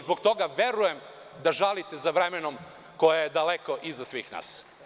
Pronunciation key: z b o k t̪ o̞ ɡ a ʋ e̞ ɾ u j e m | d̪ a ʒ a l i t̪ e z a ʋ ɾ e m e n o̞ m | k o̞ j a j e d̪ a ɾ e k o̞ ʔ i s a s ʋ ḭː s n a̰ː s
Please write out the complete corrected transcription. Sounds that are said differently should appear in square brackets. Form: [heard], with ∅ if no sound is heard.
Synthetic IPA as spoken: z b o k t̪ o̞ ɡ a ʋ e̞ ɾ u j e m | d̪ a ʒ a l i t̪ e z a ʋ ɾ e m e n o̞ m | k o̞ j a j e d̪ a [l] e k o̞ ʔ i [z] a s ʋ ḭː [x] n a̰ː s

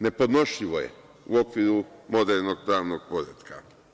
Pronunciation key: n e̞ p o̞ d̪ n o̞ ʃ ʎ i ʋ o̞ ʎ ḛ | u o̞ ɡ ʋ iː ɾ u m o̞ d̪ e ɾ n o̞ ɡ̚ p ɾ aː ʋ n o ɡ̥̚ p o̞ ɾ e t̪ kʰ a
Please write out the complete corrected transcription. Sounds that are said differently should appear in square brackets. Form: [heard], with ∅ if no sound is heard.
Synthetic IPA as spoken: n e̞ p o̞ d̪ n o̞ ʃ ʎ i ʋ o̞ [j] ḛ | u o̞ [k] ʋ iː ɾ u m o̞ d̪ e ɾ n o̞ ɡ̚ p ɾ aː ʋ n o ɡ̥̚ p o̞ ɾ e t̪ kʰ a

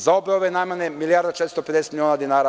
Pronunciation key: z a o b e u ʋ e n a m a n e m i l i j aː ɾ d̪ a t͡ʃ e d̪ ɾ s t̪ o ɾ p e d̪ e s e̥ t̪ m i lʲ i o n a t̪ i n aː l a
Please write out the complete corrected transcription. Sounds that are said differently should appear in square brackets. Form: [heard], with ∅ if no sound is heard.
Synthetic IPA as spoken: z a o b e [o] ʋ e n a m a n e m i l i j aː ɾ d̪ a t͡ʃ e [t̪] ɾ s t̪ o [∅] p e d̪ e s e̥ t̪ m i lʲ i o n a [d̪] i n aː [ɾ] a

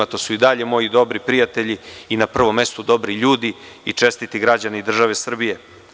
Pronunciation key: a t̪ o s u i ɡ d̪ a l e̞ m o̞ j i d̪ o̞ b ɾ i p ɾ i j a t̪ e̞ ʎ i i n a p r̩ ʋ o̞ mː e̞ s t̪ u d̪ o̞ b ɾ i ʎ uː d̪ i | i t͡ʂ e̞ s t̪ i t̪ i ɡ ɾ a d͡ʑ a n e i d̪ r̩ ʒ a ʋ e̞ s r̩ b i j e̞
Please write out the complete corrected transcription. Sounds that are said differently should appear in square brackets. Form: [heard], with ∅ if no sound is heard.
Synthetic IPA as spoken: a t̪ o s u i [∅] d̪ a [ʎ] e̞ m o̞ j i d̪ o̞ b ɾ i p ɾ i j a t̪ e̞ ʎ i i n a p r̩ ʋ o̞ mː e̞ s t̪ u d̪ o̞ b ɾ i ʎ uː d̪ i | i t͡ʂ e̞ s t̪ i t̪ i ɡ ɾ a d͡ʑ a n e i d̪ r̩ ʒ a ʋ e̞ s r̩ b i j e̞

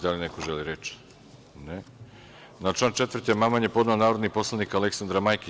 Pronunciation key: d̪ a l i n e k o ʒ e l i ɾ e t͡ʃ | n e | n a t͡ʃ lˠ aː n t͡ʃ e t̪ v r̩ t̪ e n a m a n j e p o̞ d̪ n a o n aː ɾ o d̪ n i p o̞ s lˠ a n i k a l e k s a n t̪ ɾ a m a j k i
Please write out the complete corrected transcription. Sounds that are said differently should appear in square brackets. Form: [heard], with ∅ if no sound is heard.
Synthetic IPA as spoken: d̪ a l i n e k o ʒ e l i ɾ e t͡ʃ | n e | n a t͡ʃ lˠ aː n t͡ʃ e t̪ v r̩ t̪ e [m] a m a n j e p o̞ d̪ n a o n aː ɾ o d̪ n i p o̞ s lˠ a n i k a l e k s a n [d̪] ɾ a m a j k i

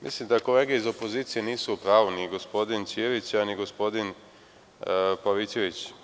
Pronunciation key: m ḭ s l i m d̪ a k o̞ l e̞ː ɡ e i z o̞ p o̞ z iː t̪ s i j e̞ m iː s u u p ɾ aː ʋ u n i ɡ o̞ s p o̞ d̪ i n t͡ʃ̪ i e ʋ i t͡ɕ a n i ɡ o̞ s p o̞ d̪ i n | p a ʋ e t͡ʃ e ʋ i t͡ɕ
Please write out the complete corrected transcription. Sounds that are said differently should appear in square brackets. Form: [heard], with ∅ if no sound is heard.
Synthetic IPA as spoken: m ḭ s l i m d̪ a k o̞ l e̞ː ɡ e i z o̞ p o̞ z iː t̪ s i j e̞ [n] iː s u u p ɾ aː ʋ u n i ɡ o̞ s p o̞ d̪ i n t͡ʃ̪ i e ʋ i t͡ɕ a n i ɡ o̞ s p o̞ d̪ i n | p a ʋ [i] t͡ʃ e ʋ i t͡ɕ

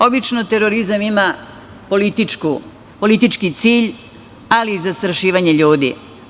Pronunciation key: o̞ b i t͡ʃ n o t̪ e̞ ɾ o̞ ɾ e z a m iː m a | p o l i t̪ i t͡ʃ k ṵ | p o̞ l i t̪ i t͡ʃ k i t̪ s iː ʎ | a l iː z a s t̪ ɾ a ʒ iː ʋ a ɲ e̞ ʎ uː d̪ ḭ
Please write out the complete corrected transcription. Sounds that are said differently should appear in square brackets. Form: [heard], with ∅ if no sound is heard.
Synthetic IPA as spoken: o̞ b i t͡ʃ n o t̪ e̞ ɾ o̞ ɾ [i] z a m [i] m a | p o l i t̪ i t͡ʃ k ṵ | p o̞ l i t̪ i t͡ʃ k i t̪ s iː ʎ | a l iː z a s t̪ ɾ a [ʃ] iː ʋ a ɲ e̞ ʎ uː d̪ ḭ

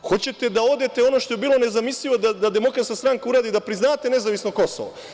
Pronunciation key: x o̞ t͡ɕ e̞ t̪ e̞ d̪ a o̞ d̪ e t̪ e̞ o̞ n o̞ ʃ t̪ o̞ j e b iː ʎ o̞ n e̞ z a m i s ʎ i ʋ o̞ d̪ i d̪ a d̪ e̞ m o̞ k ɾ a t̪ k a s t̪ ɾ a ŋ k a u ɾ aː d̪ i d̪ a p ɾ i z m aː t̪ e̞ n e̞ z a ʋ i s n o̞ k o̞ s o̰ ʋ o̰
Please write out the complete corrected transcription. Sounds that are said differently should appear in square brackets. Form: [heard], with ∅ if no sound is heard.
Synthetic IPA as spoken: x o̞ t͡ɕ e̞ t̪ e̞ d̪ a o̞ d̪ e t̪ e̞ o̞ n o̞ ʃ t̪ o̞ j e b iː [l] o̞ n e̞ z a m i s ʎ i ʋ o̞ d̪ [a] d̪ a d̪ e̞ m o̞ k ɾ a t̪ k a s t̪ ɾ a ŋ k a u ɾ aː d̪ i d̪ a p ɾ i z [n] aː t̪ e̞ n e̞ z a ʋ i s n o̞ k o̞ s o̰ ʋ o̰

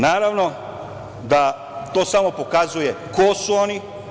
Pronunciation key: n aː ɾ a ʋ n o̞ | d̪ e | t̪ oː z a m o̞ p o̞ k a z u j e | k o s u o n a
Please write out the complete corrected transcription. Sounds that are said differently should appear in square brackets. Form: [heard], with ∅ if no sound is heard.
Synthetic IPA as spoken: n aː ɾ a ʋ n o̞ | d̪ [a] | t̪ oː [s] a m o̞ p o̞ k a z u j e | k o s u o n [i]

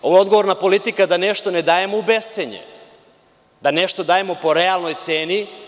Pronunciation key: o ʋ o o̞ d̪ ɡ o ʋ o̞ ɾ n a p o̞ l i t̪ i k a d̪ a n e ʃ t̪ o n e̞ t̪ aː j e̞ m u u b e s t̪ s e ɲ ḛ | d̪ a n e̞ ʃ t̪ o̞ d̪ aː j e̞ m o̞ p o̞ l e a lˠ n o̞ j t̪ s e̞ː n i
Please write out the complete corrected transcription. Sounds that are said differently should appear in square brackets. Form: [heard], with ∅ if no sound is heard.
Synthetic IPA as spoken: o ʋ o o̞ d̪ ɡ o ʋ o̞ ɾ n a p o̞ l i t̪ i k a d̪ a n e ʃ t̪ o n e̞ [d̪] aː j e̞ m [o] u b e s t̪ s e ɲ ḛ | d̪ a n e̞ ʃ t̪ o̞ d̪ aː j e̞ m o̞ p o̞ [ɾ] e a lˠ n o̞ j t̪ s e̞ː n i

